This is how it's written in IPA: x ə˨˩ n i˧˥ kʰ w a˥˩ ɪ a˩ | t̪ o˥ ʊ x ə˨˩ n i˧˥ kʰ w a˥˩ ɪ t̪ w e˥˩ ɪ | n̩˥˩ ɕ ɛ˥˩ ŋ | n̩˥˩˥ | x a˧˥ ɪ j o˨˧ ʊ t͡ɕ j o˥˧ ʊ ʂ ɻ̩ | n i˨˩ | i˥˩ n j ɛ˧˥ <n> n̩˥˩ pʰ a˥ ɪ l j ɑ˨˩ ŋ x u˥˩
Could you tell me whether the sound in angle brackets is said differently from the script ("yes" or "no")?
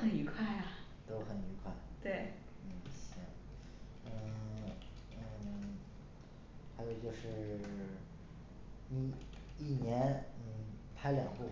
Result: no